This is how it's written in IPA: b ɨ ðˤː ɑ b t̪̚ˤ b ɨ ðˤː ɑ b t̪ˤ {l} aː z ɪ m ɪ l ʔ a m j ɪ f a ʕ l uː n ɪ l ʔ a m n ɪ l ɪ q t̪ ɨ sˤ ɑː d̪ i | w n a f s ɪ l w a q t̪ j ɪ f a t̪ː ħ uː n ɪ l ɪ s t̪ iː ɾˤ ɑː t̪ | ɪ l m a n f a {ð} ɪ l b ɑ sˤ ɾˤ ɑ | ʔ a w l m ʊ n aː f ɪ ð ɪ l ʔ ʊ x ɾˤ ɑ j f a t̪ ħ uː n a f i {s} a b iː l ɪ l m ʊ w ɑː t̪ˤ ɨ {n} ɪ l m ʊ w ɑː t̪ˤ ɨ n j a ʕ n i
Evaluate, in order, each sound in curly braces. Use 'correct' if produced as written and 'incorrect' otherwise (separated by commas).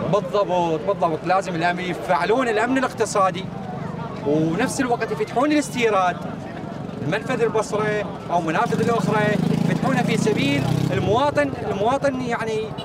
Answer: correct, correct, correct, correct